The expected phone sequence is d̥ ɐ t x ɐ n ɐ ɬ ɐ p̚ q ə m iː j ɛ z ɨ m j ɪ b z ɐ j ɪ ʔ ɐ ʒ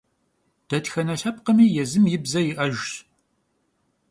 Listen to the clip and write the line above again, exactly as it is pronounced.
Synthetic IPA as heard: d̥ ɐ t x ɐ n ɐ ɬ ɐ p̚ q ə m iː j ɛ z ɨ m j ɪ b z ɐ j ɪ ʔ ɐ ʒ